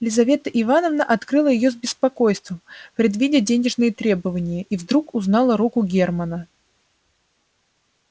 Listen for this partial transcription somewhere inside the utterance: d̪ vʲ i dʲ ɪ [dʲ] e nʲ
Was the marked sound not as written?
no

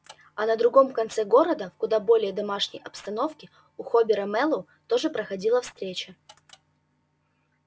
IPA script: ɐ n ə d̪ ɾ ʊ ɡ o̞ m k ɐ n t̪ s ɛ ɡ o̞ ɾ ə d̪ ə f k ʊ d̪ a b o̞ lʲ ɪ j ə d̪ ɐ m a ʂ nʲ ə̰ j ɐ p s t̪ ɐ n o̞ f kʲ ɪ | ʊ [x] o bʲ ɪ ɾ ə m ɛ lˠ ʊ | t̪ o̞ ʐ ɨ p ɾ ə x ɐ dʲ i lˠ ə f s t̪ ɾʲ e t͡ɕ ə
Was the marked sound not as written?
no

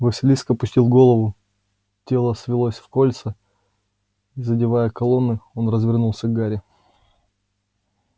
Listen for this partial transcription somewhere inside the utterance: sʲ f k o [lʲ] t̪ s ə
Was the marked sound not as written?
no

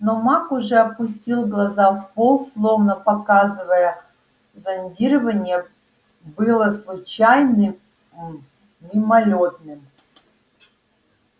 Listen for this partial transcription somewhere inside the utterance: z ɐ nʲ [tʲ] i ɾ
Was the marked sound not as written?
yes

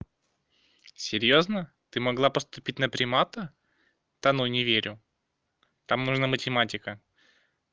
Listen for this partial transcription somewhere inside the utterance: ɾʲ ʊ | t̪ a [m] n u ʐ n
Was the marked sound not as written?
no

